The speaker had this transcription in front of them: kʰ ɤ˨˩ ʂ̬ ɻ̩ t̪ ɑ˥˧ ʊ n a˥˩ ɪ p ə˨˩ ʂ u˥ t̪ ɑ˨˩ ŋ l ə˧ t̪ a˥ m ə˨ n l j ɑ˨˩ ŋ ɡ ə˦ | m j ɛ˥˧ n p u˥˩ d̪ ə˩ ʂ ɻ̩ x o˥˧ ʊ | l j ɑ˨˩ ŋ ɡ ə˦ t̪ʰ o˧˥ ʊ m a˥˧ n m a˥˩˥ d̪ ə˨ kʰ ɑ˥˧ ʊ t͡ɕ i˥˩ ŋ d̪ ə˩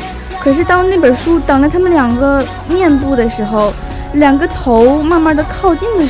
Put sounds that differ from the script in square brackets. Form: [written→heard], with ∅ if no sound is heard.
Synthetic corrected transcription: kʰ ɤ˨˩ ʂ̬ ɻ̩ t̪ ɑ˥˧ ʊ n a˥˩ ɪ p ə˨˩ ʂ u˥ t̪ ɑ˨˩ ŋ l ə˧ [t̪→t̪ʰ] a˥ m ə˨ n l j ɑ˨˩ ŋ ɡ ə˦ | m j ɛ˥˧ n p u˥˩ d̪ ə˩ ʂ ɻ̩ x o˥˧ ʊ | l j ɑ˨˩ ŋ ɡ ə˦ t̪ʰ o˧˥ ʊ m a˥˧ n m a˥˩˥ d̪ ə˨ kʰ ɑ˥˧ ʊ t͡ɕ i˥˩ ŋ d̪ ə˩